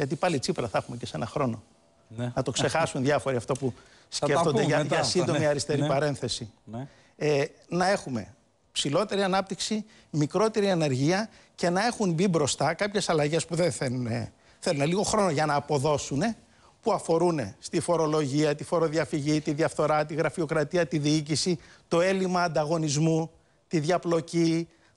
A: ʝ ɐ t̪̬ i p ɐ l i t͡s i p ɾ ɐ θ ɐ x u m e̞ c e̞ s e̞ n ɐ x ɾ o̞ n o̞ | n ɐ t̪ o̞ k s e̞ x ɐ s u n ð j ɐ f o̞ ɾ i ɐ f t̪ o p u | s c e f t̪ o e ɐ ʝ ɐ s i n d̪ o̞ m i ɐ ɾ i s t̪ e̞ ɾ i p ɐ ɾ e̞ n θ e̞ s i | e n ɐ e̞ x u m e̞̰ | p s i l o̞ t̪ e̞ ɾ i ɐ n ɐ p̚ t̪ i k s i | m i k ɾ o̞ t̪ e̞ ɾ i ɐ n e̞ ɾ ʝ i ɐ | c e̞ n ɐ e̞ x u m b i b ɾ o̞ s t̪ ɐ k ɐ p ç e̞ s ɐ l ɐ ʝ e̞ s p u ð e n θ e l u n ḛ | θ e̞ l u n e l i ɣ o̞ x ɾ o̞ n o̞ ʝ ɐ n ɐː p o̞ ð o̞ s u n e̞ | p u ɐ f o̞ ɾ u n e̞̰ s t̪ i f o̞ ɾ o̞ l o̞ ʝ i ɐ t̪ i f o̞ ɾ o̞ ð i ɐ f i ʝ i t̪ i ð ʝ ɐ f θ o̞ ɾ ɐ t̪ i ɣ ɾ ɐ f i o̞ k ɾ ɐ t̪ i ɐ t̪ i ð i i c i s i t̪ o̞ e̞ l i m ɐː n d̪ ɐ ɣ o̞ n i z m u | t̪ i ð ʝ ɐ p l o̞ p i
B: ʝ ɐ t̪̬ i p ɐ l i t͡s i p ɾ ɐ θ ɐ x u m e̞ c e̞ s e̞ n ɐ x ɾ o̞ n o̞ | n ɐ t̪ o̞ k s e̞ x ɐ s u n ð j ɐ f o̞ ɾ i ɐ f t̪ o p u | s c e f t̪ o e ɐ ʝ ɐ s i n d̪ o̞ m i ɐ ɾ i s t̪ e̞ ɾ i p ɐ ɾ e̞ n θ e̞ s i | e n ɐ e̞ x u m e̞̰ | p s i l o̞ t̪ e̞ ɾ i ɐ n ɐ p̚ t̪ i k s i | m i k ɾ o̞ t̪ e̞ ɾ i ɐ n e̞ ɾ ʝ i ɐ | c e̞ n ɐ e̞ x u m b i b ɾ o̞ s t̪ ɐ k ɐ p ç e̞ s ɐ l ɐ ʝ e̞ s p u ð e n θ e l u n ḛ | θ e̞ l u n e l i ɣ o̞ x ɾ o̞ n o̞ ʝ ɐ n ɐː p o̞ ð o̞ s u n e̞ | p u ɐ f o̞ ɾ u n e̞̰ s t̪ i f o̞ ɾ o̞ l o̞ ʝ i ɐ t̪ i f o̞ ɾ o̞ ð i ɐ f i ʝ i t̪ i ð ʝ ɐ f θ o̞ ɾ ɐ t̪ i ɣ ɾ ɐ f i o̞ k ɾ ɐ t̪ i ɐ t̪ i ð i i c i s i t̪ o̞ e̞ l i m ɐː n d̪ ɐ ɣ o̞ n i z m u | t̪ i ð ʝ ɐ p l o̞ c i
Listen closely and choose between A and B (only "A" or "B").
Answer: B